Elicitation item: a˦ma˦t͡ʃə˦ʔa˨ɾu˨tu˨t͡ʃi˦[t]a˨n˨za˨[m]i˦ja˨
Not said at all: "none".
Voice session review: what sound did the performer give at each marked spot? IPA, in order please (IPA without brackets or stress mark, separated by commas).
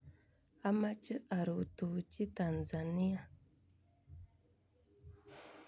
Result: t, n